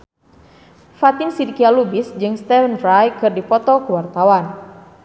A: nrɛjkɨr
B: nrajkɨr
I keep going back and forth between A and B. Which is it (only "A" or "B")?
B